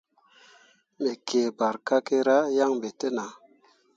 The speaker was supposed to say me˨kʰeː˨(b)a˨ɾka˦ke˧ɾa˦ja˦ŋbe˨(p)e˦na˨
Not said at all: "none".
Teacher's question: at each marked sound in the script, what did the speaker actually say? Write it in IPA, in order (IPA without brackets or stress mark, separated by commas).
b, t